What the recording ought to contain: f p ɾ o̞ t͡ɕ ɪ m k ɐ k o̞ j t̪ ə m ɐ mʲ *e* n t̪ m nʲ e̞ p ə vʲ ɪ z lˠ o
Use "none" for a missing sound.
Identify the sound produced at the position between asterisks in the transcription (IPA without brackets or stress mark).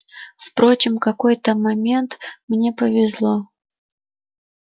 e